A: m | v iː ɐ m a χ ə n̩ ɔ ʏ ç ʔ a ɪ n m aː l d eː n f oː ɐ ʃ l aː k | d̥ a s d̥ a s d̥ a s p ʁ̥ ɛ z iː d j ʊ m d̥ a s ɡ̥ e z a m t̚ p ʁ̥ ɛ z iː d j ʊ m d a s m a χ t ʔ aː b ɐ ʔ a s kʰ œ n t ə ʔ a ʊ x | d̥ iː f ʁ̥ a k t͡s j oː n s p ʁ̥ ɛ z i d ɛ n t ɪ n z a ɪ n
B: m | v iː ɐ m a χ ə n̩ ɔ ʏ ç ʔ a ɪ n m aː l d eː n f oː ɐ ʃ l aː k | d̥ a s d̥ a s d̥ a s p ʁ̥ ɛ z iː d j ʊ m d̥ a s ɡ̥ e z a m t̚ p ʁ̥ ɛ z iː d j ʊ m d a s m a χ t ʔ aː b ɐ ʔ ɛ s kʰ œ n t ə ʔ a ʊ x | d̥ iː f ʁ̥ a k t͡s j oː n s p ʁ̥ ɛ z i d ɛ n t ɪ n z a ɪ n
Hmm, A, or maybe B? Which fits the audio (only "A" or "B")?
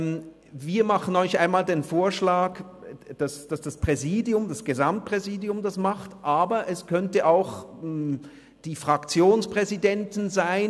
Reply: B